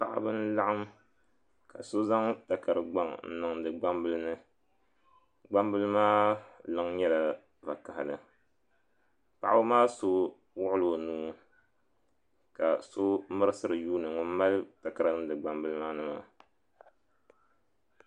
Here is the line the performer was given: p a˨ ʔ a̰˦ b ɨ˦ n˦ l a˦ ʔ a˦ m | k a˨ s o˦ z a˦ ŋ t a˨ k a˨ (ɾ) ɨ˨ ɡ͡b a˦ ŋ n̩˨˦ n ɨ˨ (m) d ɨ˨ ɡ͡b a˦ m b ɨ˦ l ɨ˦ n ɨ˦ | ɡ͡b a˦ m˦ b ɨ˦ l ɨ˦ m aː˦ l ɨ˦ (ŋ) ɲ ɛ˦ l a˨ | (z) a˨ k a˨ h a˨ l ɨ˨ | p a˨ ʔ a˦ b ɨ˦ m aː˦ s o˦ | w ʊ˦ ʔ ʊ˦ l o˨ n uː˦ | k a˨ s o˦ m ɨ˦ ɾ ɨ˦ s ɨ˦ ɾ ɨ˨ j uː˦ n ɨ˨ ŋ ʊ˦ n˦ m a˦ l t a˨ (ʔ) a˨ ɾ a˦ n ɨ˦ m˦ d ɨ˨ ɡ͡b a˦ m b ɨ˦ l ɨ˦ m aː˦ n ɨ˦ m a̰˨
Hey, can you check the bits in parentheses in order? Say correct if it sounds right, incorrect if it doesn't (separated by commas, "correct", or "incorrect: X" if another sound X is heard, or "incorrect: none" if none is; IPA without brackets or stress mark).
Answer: correct, incorrect: ŋ, correct, incorrect: v, incorrect: k